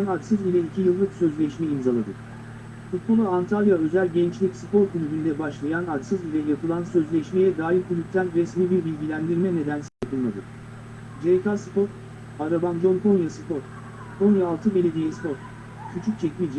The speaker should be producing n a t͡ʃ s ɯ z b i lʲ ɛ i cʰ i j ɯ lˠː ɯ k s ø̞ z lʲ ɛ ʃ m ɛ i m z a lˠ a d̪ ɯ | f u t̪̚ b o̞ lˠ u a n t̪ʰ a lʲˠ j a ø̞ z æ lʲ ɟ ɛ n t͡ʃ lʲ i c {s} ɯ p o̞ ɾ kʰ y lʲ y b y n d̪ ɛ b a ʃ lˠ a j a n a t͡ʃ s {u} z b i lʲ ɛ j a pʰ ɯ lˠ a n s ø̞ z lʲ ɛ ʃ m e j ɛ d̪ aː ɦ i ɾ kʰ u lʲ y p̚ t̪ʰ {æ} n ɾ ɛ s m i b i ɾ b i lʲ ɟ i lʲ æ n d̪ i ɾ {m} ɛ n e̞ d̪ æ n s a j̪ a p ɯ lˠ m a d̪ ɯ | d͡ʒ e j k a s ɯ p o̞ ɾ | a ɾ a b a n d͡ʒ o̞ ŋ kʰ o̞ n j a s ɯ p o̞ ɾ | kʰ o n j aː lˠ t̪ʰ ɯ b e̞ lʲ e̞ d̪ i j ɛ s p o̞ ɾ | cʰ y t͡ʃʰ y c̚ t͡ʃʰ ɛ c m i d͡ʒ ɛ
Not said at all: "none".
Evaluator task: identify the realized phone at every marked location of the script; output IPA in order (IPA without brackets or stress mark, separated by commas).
s, ɯ, æ, m